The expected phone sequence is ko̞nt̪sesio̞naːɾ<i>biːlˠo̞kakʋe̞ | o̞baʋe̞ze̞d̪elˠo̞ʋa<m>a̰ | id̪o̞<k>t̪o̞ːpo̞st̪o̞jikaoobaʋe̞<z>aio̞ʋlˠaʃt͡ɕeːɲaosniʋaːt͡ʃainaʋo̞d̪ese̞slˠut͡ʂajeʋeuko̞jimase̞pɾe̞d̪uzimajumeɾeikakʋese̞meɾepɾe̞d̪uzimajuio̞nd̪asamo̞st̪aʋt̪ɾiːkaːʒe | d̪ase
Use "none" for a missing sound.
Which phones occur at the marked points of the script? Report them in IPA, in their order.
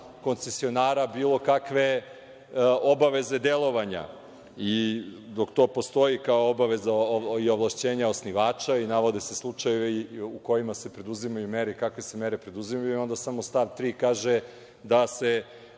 a, ɲ, k, z

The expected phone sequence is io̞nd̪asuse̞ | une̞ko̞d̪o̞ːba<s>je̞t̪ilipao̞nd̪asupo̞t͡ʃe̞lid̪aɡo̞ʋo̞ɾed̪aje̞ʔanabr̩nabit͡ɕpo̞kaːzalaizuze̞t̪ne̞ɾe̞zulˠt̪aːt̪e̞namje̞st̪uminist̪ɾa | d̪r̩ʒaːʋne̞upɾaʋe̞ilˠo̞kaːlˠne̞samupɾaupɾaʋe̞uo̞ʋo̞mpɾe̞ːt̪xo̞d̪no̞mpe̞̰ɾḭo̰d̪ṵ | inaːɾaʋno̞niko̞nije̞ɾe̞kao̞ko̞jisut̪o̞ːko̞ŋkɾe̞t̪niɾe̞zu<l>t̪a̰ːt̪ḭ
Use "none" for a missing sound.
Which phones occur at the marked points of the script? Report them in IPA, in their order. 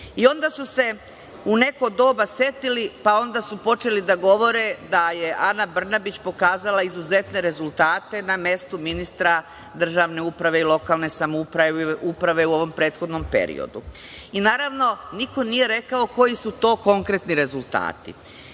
s, l

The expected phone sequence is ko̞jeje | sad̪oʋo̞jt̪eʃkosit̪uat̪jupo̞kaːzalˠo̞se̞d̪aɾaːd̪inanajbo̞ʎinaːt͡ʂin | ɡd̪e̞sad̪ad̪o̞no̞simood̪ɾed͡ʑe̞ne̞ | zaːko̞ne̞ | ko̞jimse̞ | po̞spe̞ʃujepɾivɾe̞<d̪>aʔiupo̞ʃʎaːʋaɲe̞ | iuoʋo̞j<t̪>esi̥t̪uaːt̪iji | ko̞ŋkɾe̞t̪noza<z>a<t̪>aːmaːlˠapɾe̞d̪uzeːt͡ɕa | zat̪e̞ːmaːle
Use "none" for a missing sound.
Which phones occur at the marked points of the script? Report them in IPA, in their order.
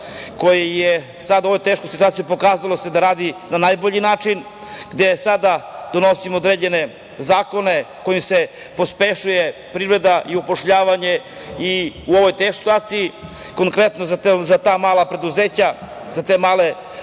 d̪, t̪, z, t̪

